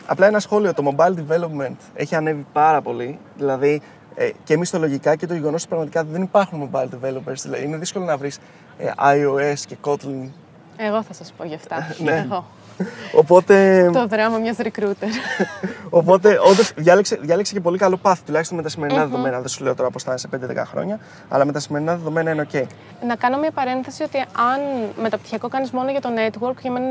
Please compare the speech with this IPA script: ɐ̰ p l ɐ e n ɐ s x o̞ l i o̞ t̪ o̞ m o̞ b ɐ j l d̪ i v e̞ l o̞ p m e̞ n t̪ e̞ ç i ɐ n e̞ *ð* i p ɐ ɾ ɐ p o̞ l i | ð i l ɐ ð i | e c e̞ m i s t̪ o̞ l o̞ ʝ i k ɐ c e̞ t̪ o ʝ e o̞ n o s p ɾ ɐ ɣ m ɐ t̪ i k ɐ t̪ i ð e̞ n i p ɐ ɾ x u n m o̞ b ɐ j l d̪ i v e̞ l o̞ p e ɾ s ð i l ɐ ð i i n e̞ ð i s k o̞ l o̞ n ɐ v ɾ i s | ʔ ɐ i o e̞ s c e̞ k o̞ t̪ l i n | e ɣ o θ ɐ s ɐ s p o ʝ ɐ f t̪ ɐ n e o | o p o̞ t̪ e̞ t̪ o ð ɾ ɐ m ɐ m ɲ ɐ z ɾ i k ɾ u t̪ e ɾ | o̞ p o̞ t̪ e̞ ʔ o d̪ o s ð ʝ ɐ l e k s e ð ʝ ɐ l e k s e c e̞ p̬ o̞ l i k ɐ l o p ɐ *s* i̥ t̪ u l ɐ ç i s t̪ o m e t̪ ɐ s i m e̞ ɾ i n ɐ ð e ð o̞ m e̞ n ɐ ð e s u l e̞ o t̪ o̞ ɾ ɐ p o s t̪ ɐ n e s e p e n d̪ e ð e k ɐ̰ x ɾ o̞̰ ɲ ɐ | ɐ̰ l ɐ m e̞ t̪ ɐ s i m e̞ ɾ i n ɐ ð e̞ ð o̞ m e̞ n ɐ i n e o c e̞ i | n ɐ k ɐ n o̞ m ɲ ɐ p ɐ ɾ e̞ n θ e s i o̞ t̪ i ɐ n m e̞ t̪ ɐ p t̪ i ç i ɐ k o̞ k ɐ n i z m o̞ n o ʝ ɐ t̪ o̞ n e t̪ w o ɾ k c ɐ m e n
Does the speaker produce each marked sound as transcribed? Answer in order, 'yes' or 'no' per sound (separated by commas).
no, no